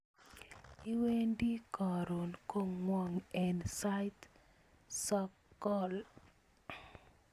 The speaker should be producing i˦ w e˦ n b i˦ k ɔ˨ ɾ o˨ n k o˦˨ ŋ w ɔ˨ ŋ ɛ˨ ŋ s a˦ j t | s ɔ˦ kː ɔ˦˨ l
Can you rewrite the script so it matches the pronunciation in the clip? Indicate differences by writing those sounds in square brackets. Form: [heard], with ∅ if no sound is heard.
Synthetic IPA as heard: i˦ w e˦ n [d] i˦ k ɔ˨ ɾ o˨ n k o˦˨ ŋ w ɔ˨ ŋ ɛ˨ [n] s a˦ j t | s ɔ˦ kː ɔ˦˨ l